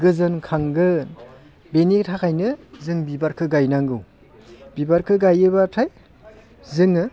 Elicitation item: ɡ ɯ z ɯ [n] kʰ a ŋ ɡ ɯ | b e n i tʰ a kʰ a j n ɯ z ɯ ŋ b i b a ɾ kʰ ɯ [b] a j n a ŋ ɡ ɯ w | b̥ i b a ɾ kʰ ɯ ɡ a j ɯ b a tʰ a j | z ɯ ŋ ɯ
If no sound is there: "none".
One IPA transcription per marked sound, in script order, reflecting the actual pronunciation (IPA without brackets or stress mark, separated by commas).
n, ɡ